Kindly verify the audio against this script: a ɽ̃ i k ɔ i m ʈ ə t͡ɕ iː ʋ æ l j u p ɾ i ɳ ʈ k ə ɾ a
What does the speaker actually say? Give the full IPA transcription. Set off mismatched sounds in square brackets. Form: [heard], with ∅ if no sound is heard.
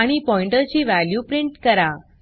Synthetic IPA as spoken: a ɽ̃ i [p] ɔ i [ɳ] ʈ ə t͡ɕ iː ʋ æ l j u p ɾ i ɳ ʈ k ə ɾ a